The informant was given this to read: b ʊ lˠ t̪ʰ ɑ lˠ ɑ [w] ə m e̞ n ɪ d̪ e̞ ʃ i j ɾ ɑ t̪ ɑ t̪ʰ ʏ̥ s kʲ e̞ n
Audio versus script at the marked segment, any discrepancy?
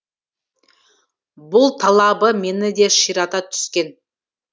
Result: yes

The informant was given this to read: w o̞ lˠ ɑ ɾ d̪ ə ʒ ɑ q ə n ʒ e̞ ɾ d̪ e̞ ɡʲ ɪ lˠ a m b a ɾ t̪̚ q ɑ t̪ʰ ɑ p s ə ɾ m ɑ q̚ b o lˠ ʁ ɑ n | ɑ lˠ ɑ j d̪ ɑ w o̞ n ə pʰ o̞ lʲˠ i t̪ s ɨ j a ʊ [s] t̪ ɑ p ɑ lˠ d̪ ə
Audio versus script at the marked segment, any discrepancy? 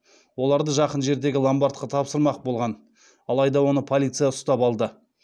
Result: no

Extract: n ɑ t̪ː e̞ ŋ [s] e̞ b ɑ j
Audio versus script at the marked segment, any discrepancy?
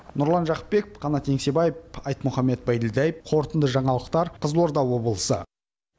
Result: no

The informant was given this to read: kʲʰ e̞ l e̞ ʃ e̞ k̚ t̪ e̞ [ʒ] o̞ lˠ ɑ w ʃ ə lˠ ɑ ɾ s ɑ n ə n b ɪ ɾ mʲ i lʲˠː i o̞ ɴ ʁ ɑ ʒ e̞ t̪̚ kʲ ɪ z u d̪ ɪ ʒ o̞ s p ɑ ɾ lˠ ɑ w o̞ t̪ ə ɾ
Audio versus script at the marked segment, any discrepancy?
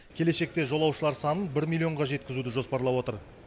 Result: no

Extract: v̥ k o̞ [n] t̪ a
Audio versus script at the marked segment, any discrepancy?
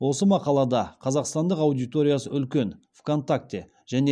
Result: no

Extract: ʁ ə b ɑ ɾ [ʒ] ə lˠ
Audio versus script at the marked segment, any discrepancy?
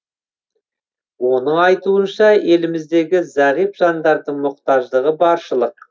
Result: yes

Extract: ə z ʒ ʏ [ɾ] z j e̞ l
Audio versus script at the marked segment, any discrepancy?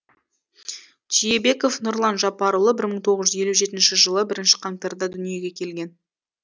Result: yes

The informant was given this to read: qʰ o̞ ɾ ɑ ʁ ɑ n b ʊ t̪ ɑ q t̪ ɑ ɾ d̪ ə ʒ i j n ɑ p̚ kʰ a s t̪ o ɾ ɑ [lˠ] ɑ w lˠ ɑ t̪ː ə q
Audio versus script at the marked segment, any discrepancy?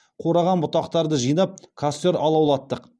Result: no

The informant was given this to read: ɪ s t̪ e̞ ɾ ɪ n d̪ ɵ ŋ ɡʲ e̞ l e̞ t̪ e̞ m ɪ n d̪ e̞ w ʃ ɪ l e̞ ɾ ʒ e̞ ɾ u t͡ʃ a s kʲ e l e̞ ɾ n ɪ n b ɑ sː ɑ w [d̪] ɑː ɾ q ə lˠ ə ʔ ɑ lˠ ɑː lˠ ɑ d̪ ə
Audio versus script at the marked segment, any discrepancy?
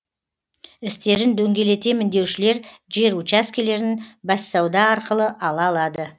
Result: no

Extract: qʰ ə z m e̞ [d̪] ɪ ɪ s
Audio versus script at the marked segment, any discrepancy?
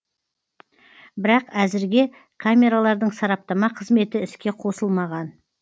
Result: yes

